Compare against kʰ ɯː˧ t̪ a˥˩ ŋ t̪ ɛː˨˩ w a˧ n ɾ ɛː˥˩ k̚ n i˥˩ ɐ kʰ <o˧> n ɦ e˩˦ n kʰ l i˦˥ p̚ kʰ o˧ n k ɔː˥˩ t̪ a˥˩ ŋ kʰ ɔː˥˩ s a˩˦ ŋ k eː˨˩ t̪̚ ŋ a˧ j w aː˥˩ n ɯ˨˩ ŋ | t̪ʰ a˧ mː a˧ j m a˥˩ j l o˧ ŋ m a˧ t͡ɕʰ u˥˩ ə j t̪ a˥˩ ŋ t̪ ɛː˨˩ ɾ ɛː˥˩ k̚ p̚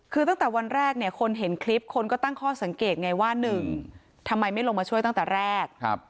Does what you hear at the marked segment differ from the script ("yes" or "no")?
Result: no